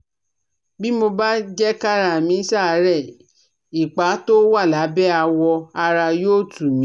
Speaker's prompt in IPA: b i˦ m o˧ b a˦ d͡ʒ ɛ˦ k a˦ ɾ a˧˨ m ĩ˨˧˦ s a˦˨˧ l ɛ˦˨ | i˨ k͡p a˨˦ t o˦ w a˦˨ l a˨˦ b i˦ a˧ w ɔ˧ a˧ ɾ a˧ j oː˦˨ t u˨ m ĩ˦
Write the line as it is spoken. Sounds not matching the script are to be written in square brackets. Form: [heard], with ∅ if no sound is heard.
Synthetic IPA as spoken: b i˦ m o˧ b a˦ d͡ʒ ɛ˦ k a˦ ɾ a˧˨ m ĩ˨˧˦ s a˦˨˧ [ɾ] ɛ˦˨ | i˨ k͡p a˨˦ t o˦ w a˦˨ l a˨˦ b [ɛ˦] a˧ w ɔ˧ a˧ ɾ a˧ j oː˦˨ t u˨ m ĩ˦